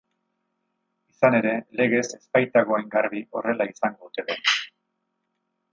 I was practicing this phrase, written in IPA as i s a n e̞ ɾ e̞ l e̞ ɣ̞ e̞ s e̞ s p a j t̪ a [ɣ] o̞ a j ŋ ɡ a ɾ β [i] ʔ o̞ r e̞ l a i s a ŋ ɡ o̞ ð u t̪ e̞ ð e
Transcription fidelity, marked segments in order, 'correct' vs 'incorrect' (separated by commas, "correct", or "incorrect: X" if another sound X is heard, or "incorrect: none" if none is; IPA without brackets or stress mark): correct, correct